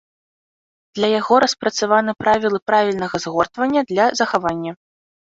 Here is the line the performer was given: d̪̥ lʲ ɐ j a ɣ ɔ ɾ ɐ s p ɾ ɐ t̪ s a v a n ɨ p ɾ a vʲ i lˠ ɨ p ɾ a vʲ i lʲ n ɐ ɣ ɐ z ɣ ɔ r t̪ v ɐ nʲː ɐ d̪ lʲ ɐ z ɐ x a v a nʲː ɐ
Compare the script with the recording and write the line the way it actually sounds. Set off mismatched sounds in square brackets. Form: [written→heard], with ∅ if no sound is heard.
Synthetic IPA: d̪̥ lʲ ɐ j a ɣ ɔ ɾ ɐ s p ɾ ɐ t̪ s a v a n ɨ p ɾ a vʲ i lˠ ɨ p ɾ a vʲ i lʲ n ɐ ɣ ɐ z ɣ ɔ r t̪ v ɐ nʲː ɐ d̪ lʲ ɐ z ɐ x a v a nʲː ɐ